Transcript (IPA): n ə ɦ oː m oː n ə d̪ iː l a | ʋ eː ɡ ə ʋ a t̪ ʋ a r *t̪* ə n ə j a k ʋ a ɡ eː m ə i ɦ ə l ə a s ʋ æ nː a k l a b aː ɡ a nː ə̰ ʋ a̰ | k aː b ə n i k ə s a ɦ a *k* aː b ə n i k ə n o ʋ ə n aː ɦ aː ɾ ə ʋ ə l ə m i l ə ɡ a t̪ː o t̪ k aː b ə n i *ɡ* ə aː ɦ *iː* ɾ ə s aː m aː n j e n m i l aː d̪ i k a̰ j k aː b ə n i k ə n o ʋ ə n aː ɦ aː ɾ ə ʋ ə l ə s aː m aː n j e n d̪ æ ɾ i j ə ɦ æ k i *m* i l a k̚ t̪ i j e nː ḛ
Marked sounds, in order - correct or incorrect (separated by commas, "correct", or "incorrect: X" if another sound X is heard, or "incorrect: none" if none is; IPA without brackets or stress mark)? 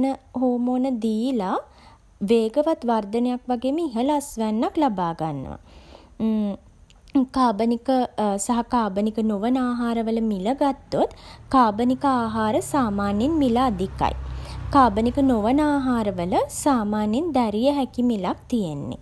incorrect: d̪, correct, incorrect: k, incorrect: aː, correct